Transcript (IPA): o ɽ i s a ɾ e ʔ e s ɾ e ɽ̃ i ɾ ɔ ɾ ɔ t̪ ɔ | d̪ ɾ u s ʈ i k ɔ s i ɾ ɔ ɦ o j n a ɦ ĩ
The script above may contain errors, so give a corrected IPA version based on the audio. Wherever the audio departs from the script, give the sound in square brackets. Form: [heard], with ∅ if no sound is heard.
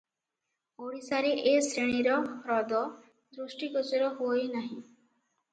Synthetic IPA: o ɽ i s a ɾ e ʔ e s ɾ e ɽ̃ i ɾ ɔ ɾ ɔ [d̪] ɔ | d̪ ɾ u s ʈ i k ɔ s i ɾ ɔ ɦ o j n a ɦ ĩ